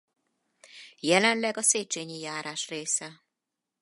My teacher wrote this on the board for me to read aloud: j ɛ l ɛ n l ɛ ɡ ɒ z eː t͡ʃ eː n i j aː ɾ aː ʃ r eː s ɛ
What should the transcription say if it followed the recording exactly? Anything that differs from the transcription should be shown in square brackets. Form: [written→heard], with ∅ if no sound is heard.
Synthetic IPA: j ɛ l ɛ n l ɛ ɡ ɒ [z→s] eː t͡ʃ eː [n→ɲ] i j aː ɾ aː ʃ r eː s ɛ